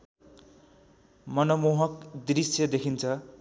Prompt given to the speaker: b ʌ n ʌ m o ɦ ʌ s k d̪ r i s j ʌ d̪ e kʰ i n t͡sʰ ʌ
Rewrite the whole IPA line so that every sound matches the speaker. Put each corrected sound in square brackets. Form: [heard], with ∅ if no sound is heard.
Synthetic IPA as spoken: [m] ʌ n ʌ m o ɦ ʌ [∅] k d̪ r i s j ʌ d̪ e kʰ i n t͡sʰ ʌ